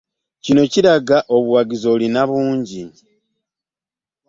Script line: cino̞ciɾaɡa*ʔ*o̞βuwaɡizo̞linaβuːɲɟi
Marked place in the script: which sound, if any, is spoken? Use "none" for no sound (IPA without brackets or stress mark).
ʔ